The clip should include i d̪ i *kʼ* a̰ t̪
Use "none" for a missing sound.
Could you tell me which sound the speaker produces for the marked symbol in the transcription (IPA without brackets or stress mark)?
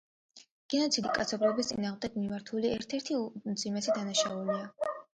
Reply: kʼ